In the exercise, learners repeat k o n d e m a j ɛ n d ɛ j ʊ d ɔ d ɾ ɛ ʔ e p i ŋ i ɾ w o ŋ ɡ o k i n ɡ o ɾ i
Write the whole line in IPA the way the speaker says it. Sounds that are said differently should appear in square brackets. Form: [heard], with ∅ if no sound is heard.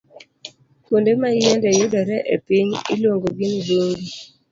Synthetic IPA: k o n d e m a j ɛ n d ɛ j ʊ d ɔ [∅] ɾ ɛ ʔ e p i [ɲ] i [l] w o ŋ ɡ o [ɡ] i n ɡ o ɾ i